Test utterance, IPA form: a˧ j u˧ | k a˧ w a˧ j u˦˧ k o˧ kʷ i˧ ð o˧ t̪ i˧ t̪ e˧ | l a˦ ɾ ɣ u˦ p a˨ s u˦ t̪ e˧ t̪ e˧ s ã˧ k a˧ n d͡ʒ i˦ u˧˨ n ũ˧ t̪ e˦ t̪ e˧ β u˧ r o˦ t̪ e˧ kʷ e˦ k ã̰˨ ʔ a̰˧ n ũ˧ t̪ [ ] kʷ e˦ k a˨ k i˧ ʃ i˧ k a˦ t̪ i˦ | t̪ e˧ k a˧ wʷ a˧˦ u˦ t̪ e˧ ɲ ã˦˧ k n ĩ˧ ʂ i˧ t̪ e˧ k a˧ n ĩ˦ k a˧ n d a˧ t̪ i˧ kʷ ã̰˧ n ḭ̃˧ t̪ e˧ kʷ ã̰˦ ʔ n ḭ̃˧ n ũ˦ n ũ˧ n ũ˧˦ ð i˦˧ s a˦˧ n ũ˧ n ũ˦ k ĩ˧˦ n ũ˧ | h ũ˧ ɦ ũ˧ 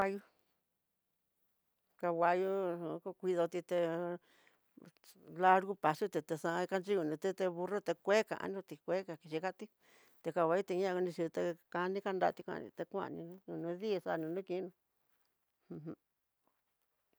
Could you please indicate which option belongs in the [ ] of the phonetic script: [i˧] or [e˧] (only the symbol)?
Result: i˧